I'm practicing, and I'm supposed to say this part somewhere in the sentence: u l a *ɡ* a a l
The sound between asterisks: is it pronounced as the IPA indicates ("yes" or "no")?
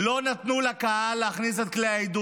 no